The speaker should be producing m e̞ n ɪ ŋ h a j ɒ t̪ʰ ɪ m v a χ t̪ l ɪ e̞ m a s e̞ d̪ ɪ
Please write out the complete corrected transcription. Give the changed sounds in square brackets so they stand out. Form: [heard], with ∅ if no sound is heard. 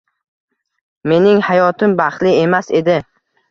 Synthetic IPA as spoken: m e̞ n ɪ ŋ h a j ɒ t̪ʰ ɪ m [b] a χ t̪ l ɪ e̞ m a s e̞ d̪ ɪ